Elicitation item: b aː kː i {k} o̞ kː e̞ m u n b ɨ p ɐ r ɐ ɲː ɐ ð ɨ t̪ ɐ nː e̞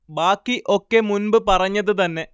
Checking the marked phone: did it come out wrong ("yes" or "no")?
yes